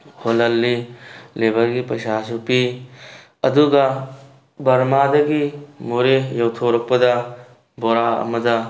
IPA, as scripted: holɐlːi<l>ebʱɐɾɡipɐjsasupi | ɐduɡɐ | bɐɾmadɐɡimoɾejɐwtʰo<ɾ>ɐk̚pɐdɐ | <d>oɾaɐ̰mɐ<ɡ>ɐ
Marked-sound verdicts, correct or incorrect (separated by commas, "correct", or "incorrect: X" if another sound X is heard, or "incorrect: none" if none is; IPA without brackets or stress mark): correct, correct, incorrect: b, incorrect: d